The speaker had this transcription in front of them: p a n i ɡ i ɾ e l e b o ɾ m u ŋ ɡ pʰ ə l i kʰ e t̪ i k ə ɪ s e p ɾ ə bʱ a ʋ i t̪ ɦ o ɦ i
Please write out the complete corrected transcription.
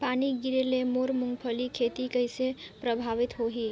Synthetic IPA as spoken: p a n i ɡ i ɾ e l e m o ɾ m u ŋ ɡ pʰ ə l i kʰ e t̪ i k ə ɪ s e p ɾ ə bʱ a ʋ i t̪ ɦ o ɦ i

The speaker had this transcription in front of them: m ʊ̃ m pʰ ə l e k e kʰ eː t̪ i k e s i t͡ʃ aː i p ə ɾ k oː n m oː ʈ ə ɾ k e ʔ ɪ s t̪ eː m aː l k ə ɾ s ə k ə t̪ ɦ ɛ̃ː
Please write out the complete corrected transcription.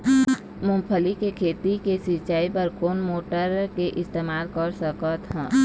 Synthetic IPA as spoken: m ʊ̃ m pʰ ə l i k e kʰ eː t̪ i k e s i t͡ʃ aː i p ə ɾ k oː n m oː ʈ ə ɾ k e ʔ ɪ s t̪ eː m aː l k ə ɾ s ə k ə t̪ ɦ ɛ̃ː

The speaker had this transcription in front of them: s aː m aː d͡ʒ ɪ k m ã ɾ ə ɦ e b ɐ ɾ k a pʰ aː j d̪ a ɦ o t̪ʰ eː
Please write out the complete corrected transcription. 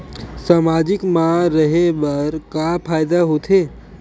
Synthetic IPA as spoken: s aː m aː d͡ʒ ɪ k m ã ɾ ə ɦ e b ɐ ɾ k a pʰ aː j d̪ a ɦ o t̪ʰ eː

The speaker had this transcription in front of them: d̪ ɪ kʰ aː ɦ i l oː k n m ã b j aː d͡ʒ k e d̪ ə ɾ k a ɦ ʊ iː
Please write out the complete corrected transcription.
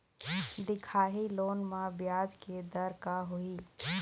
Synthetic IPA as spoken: d̪ ɪ kʰ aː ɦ i l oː n m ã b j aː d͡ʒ k e d̪ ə ɾ k a ɦ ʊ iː

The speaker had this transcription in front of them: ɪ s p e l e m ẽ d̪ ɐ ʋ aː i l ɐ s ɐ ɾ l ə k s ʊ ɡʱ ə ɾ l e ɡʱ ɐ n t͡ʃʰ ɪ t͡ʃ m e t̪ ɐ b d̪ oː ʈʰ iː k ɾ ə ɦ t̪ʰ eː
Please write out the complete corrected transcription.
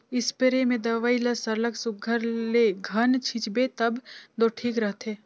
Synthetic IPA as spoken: ɪ s p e ɾ e m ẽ d̪ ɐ ʋ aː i l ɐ s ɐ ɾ l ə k s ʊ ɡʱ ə ɾ l e ɡʱ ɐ n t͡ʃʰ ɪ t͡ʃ b e t̪ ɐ b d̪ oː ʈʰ iː k ɾ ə ɦ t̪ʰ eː

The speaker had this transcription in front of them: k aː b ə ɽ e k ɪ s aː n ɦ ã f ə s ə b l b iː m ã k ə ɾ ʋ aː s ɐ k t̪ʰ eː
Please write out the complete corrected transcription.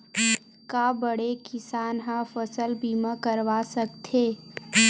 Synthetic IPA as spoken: k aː b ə ɽ e k ɪ s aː n ɦ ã f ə s ə l b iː m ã k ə ɾ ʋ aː s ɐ k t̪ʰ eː

